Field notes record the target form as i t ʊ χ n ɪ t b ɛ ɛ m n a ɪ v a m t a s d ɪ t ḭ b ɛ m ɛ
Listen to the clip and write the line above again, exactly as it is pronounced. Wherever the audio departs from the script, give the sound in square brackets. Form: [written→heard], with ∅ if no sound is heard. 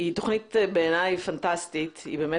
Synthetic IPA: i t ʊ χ n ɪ t b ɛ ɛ [m→∅] n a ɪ [v→f] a [m→n] t a s [d→t] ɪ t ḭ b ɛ m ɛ